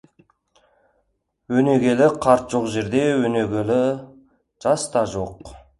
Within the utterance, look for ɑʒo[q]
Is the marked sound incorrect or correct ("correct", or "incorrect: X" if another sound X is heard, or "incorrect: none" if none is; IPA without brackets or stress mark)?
correct